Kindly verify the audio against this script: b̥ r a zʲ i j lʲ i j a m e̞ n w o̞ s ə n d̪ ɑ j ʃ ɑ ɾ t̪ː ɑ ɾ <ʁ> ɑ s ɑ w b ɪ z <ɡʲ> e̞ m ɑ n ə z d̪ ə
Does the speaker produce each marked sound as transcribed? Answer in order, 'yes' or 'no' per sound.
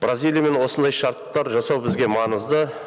no, yes

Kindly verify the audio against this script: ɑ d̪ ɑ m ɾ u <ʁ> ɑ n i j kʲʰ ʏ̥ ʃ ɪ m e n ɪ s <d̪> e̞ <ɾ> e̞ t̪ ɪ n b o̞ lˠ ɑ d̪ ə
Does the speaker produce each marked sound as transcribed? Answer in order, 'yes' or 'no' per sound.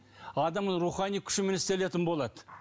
no, no, no

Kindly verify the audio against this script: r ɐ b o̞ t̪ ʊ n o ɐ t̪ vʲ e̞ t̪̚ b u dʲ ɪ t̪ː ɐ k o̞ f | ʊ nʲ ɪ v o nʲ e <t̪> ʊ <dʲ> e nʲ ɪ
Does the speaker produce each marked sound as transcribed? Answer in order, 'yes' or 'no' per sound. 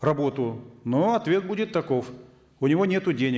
yes, yes

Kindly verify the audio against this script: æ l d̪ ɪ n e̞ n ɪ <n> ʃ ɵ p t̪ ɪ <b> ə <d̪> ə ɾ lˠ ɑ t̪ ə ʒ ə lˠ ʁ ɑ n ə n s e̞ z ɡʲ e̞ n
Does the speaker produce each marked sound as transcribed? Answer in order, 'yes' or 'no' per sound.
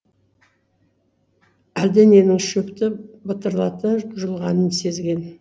no, yes, no

